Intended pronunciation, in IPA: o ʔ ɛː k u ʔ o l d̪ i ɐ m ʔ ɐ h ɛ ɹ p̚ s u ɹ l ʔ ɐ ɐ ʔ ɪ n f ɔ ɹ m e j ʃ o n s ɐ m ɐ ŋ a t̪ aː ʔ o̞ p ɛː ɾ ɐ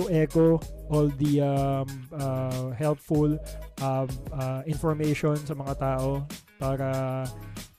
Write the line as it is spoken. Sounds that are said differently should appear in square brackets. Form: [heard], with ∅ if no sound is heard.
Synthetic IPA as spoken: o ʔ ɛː k [o] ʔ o l d̪ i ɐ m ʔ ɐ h ɛ [l] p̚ [f] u [∅] l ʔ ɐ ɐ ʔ ɪ n f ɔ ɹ m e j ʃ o n s ɐ m ɐ ŋ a t̪ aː ʔ o̞ p [aː] ɾ ɐ